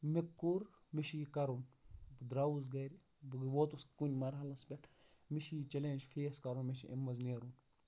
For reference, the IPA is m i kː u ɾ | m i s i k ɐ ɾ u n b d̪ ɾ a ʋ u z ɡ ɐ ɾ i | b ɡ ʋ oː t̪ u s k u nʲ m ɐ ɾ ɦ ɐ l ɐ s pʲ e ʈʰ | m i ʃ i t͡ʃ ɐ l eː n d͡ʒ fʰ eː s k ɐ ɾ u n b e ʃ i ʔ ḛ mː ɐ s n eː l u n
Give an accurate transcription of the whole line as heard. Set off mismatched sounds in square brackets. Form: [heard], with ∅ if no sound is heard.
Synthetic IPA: m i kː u ɾ | m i [ʃ] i k ɐ ɾ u n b d̪ ɾ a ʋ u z ɡ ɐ ɾ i | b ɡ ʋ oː t̪ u s k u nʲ m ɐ ɾ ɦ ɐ l ɐ s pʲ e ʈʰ | m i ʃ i t͡ʃ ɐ l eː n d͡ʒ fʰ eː s k ɐ ɾ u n [m] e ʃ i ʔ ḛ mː ɐ [z] n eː [ɾ] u n